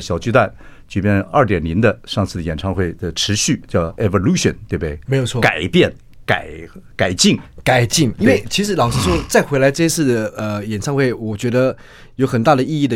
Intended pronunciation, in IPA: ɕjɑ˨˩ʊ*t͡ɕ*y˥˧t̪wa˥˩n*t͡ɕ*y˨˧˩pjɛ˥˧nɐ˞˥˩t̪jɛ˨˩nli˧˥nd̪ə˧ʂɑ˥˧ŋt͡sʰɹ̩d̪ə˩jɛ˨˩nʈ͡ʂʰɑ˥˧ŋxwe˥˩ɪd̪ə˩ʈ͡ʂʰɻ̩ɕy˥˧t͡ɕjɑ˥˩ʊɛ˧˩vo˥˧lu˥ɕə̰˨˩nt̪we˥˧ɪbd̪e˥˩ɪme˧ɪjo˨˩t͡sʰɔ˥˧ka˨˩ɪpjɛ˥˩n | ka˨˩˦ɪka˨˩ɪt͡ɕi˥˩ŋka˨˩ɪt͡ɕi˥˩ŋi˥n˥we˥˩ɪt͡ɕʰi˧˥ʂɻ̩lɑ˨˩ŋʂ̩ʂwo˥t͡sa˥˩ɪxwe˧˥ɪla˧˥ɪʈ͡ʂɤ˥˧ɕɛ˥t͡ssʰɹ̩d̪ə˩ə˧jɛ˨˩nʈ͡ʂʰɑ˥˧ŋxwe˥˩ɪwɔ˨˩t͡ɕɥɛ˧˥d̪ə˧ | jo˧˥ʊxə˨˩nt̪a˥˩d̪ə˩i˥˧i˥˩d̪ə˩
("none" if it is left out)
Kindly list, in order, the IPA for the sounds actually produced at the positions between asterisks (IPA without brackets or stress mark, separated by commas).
t͡ɕ, t͡ɕ